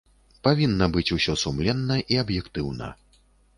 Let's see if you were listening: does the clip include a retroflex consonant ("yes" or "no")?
no